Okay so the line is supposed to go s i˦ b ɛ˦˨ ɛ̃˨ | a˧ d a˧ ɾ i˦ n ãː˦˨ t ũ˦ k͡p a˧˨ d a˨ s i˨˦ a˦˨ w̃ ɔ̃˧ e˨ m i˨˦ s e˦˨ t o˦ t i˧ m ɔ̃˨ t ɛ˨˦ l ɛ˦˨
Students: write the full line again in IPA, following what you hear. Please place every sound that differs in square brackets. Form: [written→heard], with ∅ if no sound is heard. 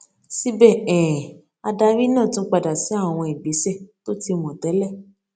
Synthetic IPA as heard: s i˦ b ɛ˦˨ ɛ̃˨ | a˧ d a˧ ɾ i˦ n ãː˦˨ t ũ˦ k͡p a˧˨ d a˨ s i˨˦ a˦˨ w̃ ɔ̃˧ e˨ [m→b] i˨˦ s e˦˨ t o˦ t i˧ m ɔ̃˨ t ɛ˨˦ l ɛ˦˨